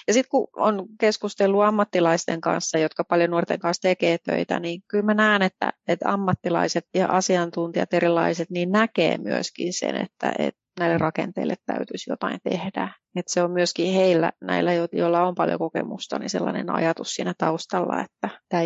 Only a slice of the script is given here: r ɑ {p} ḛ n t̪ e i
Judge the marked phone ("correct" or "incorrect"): incorrect